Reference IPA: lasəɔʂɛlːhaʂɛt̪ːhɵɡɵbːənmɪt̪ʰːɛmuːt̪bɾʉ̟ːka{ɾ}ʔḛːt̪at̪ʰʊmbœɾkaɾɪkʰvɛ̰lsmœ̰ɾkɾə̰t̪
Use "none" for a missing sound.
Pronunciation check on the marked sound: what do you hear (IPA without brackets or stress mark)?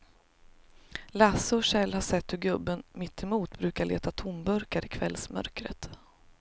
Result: ɭ